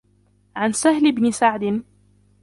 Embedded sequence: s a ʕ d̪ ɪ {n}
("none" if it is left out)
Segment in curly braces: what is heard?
n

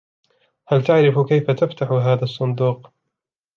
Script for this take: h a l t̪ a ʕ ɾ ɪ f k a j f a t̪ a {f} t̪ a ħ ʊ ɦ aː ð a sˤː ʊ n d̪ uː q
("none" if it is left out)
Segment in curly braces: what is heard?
f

